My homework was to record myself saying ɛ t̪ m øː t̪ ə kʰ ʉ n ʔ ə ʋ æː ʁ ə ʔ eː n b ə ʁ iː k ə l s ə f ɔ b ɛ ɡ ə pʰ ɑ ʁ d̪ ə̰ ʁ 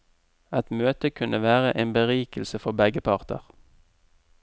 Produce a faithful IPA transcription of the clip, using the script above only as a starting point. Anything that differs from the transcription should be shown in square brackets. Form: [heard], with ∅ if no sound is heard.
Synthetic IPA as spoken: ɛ t̪ m øː t̪ ə kʰ ʉ n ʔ ə ʋ æː ʁ ə ʔ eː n b ə ʁ iː k ə l s ə f ɔ b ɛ ɡ ə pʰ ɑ ʁ [t̪] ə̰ ʁ